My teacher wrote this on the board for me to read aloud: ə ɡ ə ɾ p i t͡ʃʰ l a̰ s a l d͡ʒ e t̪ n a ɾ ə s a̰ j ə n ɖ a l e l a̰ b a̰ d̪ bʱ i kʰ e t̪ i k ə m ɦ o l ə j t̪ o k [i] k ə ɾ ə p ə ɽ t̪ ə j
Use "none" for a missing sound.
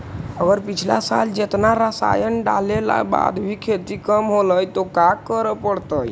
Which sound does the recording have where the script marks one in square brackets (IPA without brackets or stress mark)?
a